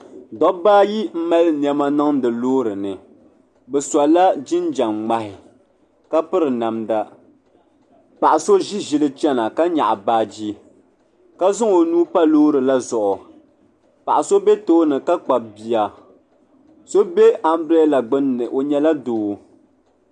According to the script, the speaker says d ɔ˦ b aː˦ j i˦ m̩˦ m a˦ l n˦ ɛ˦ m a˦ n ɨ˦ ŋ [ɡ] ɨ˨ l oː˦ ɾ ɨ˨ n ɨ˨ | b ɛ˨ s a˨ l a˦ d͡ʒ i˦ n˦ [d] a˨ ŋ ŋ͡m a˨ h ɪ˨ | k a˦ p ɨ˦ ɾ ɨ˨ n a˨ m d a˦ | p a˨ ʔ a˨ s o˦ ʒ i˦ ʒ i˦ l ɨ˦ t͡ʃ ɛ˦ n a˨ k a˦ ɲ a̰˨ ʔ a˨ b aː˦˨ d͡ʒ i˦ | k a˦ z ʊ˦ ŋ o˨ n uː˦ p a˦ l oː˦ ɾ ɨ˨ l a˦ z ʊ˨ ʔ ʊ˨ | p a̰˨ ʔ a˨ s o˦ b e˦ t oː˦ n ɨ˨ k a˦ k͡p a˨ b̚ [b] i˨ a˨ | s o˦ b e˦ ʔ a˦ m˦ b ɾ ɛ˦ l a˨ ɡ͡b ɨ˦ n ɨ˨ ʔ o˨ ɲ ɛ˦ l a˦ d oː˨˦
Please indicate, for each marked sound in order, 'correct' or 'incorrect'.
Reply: incorrect, incorrect, correct

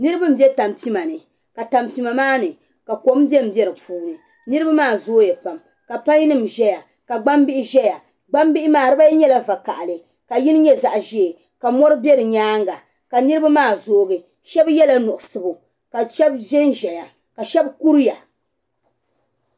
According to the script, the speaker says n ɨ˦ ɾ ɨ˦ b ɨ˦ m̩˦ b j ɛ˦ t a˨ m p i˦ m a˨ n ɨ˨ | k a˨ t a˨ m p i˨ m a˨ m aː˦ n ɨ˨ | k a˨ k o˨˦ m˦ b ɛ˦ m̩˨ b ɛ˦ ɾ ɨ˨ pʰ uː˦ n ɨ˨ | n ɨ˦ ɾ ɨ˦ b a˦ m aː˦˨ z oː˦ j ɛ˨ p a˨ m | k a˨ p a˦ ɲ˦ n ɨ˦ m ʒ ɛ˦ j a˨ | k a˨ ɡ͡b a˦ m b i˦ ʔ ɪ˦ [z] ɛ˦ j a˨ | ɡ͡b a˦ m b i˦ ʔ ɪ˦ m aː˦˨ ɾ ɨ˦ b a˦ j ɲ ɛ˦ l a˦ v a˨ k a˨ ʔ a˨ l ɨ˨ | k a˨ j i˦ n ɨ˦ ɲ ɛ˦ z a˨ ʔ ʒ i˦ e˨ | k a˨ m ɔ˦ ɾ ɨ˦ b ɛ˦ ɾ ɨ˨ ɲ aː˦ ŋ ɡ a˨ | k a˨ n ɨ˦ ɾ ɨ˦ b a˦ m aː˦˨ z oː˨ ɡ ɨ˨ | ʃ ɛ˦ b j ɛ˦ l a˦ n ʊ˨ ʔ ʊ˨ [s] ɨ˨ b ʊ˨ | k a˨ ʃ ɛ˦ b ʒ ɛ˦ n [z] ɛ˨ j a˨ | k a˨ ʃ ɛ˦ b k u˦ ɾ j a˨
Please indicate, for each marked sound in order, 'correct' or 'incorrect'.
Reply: incorrect, correct, incorrect

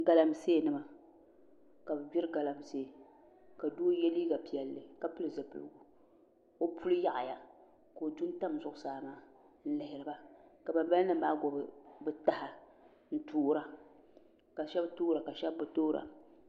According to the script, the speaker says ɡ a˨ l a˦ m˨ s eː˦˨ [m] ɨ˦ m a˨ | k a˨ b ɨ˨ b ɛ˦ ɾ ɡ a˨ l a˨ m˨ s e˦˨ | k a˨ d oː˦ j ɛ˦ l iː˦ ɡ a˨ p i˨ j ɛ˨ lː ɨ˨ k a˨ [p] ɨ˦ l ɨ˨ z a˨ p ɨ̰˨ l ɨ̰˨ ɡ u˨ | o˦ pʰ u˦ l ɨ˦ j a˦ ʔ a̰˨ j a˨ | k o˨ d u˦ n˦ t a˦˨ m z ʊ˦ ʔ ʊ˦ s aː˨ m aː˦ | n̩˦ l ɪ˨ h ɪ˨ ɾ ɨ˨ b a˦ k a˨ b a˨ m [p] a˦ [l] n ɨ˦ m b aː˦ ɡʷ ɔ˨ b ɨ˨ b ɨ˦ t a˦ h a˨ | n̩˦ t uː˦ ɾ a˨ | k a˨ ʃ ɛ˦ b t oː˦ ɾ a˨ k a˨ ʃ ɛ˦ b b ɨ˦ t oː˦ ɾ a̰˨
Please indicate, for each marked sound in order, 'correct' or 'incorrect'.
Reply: incorrect, correct, incorrect, correct

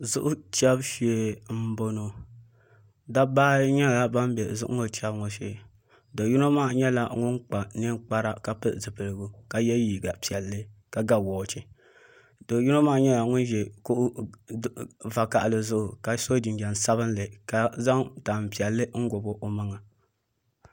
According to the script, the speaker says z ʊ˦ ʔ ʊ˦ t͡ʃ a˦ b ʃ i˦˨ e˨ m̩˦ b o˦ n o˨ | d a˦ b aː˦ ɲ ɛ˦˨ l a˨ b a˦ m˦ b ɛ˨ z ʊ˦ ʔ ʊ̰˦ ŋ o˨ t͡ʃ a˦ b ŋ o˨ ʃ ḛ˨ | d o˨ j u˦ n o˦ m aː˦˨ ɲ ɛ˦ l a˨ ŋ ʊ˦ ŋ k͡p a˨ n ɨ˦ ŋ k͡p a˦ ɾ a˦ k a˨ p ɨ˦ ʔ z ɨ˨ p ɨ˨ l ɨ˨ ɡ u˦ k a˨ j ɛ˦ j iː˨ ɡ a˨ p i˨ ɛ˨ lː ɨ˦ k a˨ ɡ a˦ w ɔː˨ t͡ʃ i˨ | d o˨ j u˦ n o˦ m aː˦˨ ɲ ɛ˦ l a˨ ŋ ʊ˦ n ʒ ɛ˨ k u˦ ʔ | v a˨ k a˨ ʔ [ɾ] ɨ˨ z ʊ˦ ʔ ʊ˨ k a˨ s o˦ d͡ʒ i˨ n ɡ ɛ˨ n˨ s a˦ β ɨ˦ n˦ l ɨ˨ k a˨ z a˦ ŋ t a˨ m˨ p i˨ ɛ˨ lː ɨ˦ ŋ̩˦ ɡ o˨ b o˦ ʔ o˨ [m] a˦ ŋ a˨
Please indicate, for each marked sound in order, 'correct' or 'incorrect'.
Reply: incorrect, correct

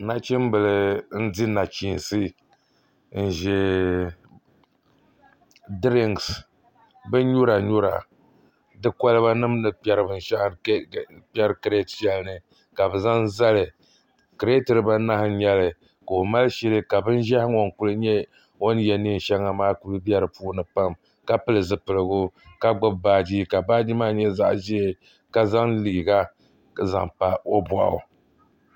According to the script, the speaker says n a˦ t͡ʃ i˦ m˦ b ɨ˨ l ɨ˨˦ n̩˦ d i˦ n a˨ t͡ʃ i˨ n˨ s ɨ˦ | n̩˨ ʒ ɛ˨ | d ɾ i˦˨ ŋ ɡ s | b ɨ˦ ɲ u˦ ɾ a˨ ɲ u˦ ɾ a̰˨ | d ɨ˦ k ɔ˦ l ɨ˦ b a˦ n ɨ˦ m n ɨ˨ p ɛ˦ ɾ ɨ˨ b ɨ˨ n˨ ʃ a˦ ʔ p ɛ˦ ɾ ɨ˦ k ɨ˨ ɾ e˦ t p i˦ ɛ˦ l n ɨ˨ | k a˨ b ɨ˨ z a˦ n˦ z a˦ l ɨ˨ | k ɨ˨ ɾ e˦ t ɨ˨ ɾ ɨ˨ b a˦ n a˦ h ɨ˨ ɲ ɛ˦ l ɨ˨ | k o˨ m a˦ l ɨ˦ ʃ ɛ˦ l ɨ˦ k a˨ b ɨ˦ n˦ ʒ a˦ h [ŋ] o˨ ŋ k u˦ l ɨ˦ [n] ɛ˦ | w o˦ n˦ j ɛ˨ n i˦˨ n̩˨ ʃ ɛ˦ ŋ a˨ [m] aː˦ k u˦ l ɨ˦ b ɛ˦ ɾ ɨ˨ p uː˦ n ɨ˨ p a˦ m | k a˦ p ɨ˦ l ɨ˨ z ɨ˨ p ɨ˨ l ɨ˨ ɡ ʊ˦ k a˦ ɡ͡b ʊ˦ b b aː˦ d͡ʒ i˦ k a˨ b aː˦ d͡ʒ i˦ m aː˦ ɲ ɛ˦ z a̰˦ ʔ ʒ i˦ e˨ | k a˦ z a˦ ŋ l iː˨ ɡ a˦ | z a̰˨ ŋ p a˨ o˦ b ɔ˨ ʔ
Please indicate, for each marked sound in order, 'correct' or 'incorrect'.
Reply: correct, incorrect, correct

